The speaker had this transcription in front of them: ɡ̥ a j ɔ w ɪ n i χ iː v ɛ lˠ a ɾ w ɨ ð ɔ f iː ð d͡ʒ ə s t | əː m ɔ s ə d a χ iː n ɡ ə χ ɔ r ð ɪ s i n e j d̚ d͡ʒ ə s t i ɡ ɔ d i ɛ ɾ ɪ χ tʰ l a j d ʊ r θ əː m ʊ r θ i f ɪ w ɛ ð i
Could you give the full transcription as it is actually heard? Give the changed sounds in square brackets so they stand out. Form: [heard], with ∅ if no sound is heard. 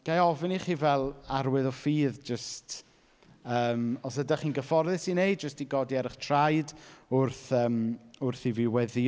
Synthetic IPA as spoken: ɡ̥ a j ɔ [v] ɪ n i χ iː v ɛ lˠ a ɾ w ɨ ð ɔ f iː ð d͡ʒ ə s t | əː m ɔ s ə d a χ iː n ɡ ə [f] ɔ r ð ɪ s i n e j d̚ d͡ʒ ə s t i ɡ ɔ d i ɛ ɾ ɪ χ tʰ [r] a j d ʊ r θ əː m ʊ r θ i [v] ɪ w ɛ ð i